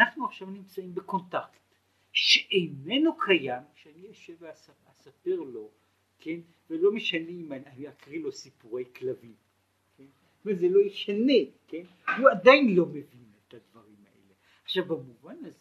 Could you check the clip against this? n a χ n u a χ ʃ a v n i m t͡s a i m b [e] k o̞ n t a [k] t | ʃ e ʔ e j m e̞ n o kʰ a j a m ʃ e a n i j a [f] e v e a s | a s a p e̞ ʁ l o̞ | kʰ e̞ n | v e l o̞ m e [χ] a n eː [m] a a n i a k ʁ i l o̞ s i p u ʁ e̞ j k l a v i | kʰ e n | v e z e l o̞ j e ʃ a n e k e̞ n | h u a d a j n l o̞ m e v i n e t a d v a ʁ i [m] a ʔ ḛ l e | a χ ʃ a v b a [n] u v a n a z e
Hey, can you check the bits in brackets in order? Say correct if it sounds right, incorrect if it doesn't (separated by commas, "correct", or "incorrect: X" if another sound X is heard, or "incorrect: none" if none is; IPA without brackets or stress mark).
correct, correct, incorrect: ʃ, incorrect: ʃ, correct, correct, incorrect: m